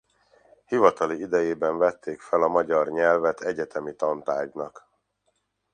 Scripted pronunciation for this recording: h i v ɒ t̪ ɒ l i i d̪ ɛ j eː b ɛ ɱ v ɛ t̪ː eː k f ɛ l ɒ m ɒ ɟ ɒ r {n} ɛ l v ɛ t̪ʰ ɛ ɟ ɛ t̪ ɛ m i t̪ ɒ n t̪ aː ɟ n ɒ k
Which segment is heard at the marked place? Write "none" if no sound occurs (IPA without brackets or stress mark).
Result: ɲ